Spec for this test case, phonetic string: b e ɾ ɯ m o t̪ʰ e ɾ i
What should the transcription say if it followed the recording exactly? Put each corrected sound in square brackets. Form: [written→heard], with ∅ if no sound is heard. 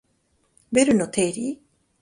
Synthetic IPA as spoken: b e ɾ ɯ [m→n] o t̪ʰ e ɾ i